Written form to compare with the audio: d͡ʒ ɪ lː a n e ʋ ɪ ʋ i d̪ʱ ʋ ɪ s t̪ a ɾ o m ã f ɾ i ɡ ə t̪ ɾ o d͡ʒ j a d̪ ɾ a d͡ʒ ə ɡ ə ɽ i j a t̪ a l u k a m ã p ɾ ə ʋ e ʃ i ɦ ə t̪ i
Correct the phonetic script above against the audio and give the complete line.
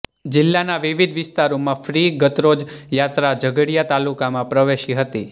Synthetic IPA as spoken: d͡ʒ ɪ lː a n a ʋ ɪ ʋ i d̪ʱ ʋ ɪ s t̪ a ɾ o m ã f ɾ i ɡ ə t̪ ɾ o d͡ʒ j a t̪ ɾ a d͡ʒ ə ɡ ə ɽ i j a t̪ a l u k a m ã p ɾ ə ʋ e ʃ i ɦ ə t̪ i